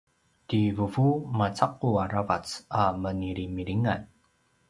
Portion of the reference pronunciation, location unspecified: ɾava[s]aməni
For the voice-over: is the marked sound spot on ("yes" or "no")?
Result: no